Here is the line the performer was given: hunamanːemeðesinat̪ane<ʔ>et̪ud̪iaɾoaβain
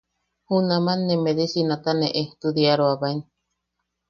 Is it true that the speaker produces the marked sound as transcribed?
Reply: yes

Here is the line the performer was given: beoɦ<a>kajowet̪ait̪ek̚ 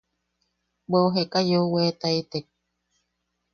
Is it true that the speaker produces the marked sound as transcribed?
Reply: no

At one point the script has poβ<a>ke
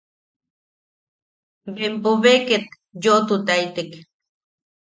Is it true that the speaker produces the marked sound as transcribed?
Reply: no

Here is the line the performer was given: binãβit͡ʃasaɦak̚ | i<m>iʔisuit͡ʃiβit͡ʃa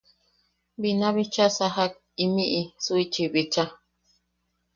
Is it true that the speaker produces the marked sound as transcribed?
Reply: yes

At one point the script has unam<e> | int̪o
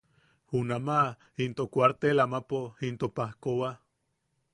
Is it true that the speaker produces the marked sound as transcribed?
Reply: no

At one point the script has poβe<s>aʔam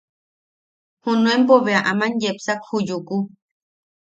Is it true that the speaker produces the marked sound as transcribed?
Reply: no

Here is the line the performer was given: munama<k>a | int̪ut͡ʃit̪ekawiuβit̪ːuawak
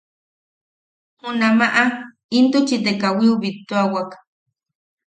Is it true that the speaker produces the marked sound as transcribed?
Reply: no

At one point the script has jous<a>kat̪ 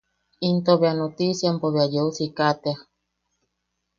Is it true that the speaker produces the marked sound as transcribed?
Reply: no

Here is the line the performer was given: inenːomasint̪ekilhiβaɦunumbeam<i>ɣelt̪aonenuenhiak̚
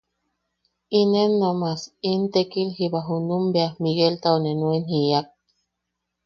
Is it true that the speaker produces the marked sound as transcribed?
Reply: yes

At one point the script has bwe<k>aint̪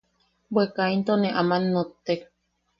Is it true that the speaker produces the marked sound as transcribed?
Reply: yes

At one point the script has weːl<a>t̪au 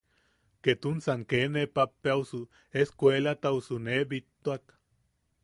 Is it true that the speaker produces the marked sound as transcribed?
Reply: yes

